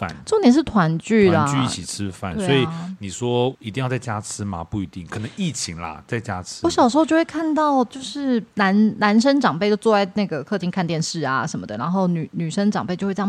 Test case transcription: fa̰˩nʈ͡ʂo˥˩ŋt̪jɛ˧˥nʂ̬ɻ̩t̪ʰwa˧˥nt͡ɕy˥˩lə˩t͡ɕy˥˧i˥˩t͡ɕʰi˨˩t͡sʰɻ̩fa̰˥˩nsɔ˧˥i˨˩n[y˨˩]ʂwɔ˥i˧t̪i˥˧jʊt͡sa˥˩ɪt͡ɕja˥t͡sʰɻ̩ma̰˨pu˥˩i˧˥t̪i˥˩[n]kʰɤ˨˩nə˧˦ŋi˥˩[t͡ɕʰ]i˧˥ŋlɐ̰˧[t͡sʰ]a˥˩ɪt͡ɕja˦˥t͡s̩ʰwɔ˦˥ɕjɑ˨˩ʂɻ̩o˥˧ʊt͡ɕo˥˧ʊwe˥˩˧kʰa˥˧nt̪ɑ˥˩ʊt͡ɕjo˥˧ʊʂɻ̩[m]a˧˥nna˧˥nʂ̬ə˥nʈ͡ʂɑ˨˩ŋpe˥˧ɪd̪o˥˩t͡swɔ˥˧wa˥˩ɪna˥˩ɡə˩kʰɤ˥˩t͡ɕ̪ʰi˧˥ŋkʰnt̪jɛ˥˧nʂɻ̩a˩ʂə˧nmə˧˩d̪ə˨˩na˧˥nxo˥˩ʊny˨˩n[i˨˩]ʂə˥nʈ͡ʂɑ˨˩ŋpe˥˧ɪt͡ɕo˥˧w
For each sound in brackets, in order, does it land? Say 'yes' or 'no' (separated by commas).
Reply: no, no, yes, no, no, no